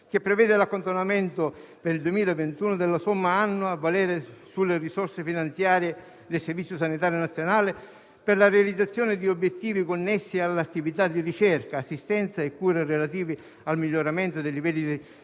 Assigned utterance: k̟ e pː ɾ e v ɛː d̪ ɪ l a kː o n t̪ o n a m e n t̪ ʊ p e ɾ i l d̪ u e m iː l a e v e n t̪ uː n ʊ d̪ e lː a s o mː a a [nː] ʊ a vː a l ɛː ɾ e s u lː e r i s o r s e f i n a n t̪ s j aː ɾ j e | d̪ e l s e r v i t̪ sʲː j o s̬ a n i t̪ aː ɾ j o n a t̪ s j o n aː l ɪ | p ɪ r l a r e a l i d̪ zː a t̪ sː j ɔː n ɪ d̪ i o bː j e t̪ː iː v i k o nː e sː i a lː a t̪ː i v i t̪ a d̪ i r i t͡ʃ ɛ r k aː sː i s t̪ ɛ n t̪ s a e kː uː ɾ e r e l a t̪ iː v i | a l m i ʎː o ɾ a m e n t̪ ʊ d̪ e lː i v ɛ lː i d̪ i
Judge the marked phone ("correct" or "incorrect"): correct